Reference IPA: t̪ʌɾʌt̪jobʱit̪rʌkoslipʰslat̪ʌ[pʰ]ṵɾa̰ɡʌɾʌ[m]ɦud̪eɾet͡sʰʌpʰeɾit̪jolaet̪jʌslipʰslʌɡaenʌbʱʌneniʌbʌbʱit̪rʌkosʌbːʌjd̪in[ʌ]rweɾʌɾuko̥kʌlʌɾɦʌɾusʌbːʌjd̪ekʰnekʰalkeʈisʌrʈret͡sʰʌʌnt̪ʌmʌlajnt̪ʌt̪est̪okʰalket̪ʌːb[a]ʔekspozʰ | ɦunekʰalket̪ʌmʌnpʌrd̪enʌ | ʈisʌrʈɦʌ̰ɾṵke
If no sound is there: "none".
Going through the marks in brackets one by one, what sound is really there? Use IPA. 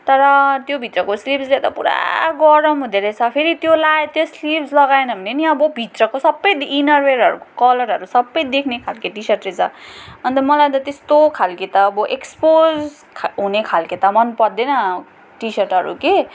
p, m, ʌ, ʌ

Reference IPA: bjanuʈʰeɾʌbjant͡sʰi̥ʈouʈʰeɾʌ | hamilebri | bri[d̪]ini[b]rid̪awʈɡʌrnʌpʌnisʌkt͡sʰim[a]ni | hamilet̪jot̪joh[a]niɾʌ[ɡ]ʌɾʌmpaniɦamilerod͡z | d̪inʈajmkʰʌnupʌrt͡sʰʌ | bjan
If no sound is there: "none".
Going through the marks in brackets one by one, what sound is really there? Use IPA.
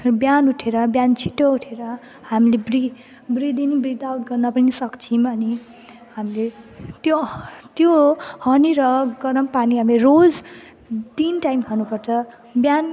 d̪, b, ʌ, ʌ, ɡ

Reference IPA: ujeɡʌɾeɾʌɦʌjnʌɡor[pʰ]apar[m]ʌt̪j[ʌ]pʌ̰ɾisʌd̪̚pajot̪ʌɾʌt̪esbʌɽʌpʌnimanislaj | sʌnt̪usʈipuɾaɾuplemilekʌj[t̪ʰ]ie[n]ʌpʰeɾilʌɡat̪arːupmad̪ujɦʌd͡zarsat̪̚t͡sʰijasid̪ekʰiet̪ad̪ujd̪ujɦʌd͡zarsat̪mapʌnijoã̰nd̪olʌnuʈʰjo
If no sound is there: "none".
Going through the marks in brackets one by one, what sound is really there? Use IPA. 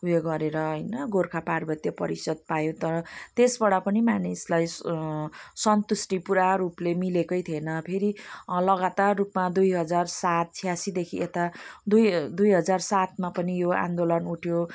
kʰ, b, ʌ, t̪ʰ, n

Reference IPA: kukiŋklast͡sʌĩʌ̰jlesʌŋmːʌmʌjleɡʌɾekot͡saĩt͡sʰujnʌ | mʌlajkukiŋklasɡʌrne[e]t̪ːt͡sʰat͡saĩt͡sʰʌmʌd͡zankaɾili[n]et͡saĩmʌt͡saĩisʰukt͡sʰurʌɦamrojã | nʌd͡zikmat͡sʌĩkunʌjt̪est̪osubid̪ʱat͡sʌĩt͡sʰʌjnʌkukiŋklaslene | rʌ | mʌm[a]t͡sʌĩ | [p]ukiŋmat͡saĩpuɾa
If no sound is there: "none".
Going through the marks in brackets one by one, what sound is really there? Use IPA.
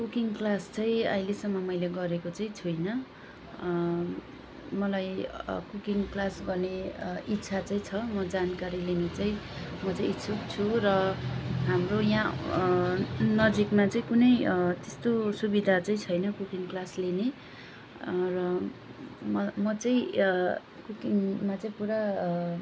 i, n, ʌ, k

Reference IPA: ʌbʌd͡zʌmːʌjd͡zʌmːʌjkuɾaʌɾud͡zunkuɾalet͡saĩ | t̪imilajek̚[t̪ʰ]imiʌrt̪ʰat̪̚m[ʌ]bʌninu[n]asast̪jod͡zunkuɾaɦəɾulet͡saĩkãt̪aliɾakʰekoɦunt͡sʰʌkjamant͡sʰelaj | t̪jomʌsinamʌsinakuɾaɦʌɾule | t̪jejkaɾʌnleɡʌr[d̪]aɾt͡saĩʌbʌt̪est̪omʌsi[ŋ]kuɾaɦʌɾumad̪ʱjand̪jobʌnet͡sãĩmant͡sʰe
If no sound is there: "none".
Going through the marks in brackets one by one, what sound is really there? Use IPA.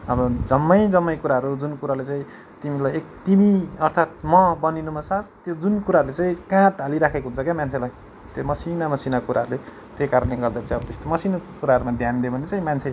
t̪, ʌ, m, d̪, n

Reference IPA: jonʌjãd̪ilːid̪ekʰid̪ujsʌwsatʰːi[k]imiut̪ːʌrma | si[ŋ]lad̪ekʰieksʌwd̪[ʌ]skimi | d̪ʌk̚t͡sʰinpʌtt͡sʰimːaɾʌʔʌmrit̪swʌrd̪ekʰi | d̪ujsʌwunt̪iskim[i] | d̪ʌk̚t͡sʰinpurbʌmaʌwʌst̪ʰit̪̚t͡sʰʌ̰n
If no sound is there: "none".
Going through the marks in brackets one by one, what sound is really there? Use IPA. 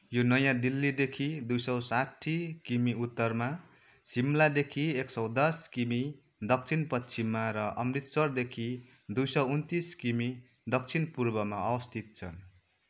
k, m, ʌ, i

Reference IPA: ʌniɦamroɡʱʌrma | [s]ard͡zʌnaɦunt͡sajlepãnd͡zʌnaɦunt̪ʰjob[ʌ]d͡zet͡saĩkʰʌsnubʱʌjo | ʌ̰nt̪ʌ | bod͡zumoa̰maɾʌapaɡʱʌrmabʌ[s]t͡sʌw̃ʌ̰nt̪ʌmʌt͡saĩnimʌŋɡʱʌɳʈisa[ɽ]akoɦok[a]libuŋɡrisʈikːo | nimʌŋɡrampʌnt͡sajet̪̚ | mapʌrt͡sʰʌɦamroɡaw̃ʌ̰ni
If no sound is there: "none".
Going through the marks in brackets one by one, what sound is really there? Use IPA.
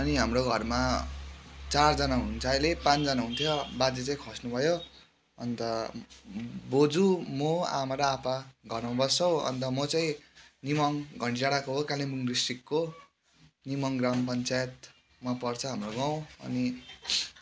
t͡s, a, s, ɽ, a

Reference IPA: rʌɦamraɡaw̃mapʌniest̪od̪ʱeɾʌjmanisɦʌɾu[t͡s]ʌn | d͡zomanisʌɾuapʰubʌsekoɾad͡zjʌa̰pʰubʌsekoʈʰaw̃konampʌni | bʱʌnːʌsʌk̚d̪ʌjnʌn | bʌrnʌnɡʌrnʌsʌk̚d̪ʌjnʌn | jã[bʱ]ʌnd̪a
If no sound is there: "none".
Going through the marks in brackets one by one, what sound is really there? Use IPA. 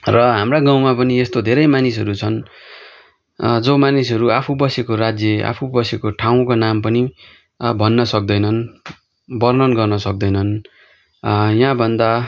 t͡sʰ, bʱ

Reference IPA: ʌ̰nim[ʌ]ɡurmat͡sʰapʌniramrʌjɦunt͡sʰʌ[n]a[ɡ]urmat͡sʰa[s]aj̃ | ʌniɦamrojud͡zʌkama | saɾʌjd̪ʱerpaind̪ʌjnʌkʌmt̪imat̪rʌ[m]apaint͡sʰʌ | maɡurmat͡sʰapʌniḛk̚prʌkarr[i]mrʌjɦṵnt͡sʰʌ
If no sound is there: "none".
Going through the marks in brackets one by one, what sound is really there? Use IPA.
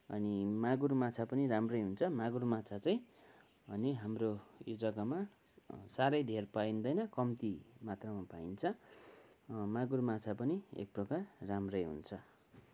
a, m, ɡ, t͡s, m, a

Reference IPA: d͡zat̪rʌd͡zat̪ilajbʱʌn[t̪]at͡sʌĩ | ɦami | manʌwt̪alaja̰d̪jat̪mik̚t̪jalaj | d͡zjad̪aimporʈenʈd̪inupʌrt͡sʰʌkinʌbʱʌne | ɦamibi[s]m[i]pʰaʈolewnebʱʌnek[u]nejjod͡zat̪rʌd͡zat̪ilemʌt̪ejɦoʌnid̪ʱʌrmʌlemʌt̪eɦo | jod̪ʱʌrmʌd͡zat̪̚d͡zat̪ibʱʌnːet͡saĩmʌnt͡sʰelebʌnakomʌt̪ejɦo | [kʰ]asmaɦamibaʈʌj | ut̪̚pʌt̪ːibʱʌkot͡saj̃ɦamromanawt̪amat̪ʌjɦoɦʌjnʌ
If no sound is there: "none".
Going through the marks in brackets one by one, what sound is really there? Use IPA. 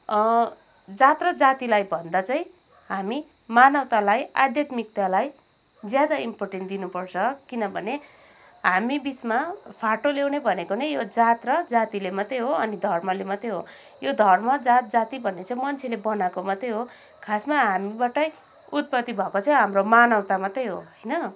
d̪, t͡s, a, o, kʰ

